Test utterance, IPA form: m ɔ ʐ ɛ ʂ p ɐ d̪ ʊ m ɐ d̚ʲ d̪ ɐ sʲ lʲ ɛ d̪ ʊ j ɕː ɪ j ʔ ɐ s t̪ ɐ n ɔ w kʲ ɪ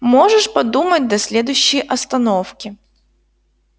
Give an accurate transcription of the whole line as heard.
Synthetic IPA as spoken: m ɔ ʐ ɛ ʂ p ɐ d̪ u m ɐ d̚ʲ d̪ ɐ sʲ lʲ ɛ d̪ ʊ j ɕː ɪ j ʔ ɐ s t̪ ɐ n ɔ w kʲ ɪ